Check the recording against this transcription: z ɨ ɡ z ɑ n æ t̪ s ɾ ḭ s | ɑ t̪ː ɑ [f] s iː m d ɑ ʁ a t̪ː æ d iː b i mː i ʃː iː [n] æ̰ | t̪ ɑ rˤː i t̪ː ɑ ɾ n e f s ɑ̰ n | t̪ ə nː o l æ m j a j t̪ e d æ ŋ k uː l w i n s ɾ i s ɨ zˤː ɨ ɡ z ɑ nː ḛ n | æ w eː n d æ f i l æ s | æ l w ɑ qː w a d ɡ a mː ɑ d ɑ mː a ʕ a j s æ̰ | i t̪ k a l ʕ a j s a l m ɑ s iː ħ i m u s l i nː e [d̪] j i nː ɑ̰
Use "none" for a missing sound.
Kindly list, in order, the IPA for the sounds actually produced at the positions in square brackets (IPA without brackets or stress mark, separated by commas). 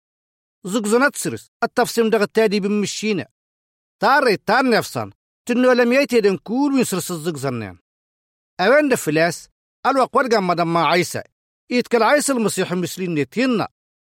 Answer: f, n, t̪